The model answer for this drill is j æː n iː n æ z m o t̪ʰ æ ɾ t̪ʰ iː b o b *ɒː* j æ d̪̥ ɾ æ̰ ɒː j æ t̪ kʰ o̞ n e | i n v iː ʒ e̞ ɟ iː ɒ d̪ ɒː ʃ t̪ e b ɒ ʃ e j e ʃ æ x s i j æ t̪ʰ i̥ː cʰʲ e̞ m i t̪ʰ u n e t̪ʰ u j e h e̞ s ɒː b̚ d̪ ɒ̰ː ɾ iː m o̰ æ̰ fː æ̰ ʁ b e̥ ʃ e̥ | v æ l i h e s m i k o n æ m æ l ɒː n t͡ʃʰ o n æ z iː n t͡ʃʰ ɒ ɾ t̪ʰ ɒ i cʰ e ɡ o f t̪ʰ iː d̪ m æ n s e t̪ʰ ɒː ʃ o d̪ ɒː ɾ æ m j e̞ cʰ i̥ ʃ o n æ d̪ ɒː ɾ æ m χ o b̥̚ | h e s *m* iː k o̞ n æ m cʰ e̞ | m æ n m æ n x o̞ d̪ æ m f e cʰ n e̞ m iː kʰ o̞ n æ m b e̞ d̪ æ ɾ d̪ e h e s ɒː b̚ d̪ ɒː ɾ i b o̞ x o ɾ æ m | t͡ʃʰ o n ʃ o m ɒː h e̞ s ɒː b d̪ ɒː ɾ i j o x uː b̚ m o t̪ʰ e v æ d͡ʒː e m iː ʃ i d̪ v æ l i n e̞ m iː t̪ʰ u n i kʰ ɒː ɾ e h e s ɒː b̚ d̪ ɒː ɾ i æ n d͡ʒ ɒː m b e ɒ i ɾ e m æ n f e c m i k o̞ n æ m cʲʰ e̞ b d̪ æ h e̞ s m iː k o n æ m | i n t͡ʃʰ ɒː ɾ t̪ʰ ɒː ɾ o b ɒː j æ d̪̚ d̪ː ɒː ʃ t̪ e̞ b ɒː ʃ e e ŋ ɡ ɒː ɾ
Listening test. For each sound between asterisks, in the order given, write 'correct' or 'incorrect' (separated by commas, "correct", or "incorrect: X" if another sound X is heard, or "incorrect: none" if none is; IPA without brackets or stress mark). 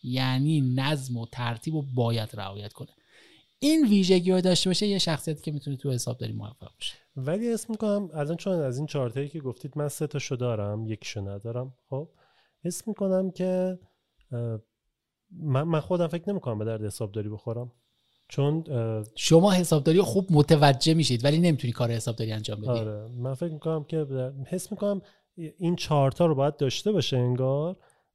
correct, correct